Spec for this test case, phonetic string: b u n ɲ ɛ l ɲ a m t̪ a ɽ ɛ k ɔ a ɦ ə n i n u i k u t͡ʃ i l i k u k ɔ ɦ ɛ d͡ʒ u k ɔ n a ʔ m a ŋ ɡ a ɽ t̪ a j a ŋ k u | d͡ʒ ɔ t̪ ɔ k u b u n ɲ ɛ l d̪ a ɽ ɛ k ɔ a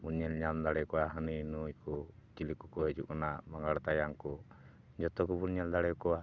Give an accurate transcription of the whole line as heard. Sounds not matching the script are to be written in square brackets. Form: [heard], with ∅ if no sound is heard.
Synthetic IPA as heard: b u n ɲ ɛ l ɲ a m [d̪] a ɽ ɛ k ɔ a ɦ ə n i n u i k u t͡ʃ i l i k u k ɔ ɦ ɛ d͡ʒ u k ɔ n a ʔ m a ŋ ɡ a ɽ t̪ a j a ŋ k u | d͡ʒ ɔ t̪ ɔ k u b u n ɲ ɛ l d̪ a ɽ ɛ k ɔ a